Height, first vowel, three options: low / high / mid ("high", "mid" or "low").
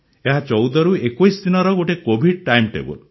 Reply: mid